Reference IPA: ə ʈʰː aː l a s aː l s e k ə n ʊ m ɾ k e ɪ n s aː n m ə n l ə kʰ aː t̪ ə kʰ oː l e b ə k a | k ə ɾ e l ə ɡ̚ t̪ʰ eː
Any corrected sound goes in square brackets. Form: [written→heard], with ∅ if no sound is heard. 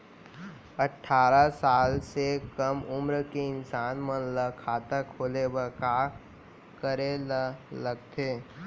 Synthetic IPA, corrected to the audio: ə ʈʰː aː [l→ɾ] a s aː l s e k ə [n→m] ʊ m ɾ k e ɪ n s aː n m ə n l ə kʰ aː t̪ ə kʰ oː l e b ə k a | k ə ɾ e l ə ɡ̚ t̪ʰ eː